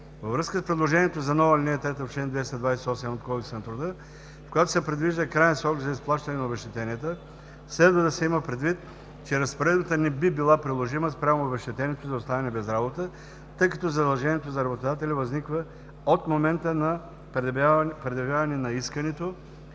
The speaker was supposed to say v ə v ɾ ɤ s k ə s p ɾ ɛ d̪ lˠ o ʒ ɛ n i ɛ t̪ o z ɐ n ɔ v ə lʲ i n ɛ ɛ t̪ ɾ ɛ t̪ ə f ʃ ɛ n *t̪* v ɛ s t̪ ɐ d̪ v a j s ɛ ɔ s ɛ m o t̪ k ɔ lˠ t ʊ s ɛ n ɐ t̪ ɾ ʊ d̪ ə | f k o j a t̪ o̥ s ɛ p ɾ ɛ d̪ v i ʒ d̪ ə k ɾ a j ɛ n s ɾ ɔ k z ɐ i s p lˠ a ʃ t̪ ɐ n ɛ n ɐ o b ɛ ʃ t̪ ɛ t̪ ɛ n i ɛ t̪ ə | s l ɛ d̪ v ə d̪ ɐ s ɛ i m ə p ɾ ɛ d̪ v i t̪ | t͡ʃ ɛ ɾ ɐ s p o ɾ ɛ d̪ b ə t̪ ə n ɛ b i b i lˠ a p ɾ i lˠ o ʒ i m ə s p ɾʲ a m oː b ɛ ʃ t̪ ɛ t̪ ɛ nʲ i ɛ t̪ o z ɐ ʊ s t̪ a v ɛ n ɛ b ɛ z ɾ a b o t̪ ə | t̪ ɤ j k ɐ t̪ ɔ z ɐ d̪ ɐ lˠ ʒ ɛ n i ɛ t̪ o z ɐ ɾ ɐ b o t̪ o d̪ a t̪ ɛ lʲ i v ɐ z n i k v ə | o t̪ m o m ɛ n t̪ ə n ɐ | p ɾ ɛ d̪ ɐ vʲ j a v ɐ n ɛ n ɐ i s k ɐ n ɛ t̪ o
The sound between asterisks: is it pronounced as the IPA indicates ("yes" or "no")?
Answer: no